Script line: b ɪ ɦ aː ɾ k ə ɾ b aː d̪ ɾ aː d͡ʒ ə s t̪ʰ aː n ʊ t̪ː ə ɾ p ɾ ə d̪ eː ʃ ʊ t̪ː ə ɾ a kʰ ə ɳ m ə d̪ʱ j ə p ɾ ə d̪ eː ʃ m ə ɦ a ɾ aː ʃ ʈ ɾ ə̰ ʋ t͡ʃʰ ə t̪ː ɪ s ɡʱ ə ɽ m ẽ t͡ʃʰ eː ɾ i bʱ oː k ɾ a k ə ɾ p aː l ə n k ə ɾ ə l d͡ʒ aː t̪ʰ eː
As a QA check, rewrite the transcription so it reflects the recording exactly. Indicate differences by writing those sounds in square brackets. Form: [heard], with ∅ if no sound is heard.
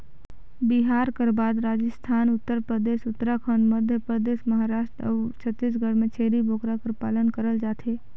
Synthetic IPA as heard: b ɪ ɦ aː ɾ k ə ɾ b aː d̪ ɾ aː d͡ʒ ə s t̪ʰ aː n ʊ t̪ː ə ɾ p ɾ ə d̪ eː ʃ ʊ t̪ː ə ɾ a kʰ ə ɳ m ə d̪ʱ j ə p ɾ ə d̪ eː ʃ m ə ɦ a ɾ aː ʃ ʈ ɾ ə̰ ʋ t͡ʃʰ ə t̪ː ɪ s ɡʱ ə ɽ m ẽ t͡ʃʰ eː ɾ i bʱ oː k ɾ a k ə ɾ p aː l ə n k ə ɾ ə l d͡ʒ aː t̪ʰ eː